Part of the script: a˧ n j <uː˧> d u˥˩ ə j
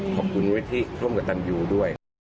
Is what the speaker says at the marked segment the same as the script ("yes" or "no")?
yes